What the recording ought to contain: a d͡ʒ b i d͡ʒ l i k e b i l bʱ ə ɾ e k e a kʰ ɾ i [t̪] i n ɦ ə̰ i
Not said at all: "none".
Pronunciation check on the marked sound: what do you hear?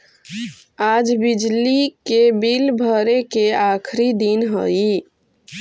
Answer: d̪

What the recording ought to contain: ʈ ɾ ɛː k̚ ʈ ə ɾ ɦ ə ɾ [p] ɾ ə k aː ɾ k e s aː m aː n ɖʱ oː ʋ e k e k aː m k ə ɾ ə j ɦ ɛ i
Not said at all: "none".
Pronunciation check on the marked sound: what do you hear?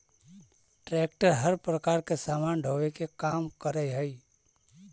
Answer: p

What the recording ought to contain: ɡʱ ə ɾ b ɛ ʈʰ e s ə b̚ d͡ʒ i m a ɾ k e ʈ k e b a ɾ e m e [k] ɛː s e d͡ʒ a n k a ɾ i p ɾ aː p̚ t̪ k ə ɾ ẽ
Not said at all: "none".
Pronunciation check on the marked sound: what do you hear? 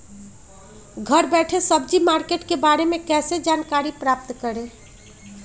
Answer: k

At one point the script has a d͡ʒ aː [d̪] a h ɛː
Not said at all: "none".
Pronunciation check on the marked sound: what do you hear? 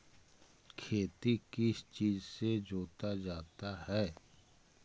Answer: t̪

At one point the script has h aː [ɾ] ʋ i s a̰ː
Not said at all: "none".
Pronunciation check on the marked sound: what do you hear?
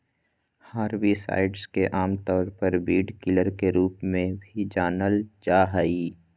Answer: ɾ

